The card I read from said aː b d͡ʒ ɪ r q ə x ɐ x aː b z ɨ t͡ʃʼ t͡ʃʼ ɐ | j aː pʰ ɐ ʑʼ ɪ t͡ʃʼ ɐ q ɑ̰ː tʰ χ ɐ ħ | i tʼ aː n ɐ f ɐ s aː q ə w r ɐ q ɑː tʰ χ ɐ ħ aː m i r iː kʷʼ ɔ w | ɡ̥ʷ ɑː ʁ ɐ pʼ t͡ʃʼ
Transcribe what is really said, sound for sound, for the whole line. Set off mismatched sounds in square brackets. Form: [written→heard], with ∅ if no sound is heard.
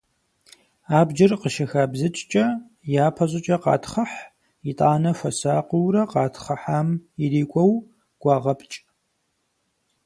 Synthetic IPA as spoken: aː b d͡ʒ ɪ r q ə [x→ʃ] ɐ x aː b z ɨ t͡ʃʼ t͡ʃʼ ɐ | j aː pʰ ɐ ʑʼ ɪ t͡ʃʼ ɐ q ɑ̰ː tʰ χ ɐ ħ | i tʼ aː n ɐ f ɐ s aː q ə w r ɐ q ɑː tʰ χ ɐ ħ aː m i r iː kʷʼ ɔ w | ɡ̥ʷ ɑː ʁ ɐ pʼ t͡ʃʼ